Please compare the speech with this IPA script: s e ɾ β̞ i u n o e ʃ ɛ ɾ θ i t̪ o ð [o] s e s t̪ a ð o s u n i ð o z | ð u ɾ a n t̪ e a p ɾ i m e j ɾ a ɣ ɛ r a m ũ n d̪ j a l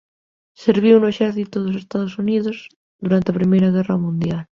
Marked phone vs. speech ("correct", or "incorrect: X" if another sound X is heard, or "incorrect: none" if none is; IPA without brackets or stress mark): correct